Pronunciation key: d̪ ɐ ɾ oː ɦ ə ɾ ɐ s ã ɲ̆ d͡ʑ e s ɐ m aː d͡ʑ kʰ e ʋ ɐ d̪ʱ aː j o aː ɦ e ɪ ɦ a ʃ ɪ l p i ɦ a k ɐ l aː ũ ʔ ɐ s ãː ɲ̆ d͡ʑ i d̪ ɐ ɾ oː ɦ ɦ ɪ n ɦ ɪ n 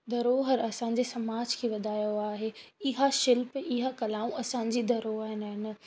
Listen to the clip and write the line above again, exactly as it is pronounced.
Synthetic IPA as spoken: d̪ ɐ ɾ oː ɦ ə ɾ ɐ s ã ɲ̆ d͡ʑ e s ɐ m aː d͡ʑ kʰ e ʋ ɐ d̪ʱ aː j o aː ɦ e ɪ ɦ a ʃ ɪ l p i ɦ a k ɐ l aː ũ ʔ ɐ s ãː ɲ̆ d͡ʑ i d̪ ɐ ɾ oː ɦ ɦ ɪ n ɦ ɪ n